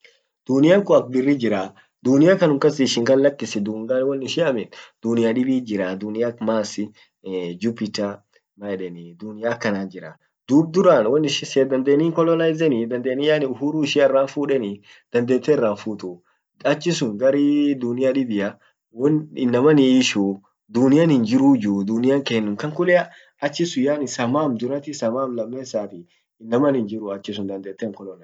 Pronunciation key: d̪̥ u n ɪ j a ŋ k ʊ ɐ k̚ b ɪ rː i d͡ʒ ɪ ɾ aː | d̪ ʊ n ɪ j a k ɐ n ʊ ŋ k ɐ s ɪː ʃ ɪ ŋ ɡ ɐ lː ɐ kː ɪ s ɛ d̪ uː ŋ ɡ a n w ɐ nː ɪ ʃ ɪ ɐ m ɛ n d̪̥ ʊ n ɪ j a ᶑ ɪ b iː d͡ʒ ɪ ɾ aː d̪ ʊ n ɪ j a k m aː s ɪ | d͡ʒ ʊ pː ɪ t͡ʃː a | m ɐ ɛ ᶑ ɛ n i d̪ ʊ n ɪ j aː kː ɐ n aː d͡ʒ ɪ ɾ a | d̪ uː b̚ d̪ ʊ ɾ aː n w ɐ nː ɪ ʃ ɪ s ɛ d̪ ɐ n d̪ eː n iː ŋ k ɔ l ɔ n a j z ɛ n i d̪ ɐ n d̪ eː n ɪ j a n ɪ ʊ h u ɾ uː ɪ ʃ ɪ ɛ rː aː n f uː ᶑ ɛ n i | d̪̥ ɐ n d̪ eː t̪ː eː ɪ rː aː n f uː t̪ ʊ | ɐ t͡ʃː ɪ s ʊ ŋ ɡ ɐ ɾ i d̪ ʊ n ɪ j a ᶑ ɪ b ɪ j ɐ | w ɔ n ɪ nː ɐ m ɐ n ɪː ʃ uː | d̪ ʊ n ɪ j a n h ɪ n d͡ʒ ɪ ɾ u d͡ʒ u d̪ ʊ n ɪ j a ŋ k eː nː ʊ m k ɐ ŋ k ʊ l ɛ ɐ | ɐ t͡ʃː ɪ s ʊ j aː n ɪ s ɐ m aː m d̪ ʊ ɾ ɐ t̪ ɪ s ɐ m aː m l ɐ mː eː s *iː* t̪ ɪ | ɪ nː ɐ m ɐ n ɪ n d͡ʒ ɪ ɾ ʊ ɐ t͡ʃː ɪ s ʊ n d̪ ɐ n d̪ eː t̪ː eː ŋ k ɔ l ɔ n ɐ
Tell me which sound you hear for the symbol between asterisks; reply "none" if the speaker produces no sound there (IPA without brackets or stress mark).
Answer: aː